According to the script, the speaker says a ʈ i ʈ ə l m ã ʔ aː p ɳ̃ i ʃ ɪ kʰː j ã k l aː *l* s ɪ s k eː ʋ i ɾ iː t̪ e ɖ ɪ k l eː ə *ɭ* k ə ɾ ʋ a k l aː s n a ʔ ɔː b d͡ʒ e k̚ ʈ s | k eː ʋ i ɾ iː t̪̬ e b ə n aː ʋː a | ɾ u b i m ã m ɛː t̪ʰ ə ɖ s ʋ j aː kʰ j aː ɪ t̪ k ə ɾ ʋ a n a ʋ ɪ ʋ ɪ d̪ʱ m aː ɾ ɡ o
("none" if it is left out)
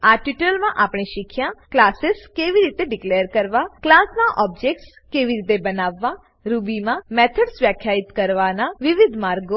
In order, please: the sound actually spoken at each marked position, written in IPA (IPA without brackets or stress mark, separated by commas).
none, ɾ